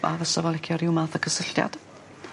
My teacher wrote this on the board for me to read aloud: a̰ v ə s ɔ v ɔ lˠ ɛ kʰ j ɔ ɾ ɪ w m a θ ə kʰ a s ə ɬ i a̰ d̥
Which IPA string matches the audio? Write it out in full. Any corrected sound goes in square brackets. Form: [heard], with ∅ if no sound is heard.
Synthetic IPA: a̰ v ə s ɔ v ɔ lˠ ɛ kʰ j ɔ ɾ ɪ w m a θ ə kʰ [ə] s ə ɬ [j] a̰ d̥